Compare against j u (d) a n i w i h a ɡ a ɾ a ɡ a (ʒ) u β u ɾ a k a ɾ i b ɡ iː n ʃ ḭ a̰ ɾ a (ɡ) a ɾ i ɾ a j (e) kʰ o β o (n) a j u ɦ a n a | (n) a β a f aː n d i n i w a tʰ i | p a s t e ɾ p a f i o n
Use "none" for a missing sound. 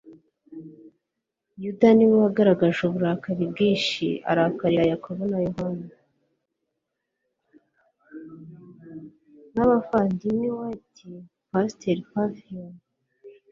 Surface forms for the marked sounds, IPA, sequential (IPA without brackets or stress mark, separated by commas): d, ʒ, k, a, n, n